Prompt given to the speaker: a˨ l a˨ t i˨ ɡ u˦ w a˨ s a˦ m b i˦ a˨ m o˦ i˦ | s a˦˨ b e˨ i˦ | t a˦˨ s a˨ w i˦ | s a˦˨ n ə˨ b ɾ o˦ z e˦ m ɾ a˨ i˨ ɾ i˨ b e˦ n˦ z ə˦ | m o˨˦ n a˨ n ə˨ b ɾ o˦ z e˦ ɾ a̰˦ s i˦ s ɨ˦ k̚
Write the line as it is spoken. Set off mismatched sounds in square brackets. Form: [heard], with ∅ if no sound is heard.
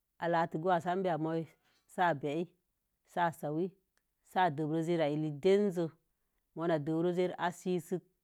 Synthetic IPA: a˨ l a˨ t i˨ ɡ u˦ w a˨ s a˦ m b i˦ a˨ m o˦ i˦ | s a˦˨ b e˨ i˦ | [s] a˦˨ s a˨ w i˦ | s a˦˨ [d] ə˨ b ɾ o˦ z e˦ [∅] ɾ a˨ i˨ [l] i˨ [d] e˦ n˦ z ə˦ | m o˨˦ n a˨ [d] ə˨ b ɾ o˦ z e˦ ɾ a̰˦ s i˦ s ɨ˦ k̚